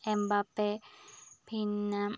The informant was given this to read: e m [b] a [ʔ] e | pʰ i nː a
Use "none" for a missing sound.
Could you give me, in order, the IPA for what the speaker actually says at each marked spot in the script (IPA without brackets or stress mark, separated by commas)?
b, p